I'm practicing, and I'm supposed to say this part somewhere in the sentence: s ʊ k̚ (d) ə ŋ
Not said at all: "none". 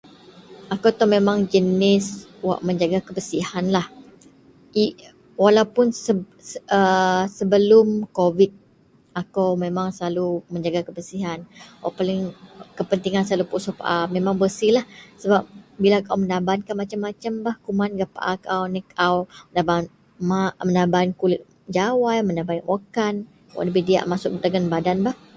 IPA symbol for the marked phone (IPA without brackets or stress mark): d